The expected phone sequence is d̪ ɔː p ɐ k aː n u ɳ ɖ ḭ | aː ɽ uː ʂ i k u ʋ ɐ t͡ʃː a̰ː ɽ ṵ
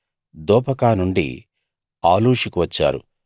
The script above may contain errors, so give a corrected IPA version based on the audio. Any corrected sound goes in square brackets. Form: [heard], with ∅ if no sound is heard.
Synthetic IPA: d̪ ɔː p ɐ k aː n u ɳ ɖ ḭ | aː [l] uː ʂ i k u ʋ ɐ t͡ʃː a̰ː [ɾ] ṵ